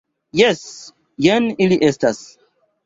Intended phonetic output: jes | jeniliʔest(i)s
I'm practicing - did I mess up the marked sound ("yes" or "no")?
yes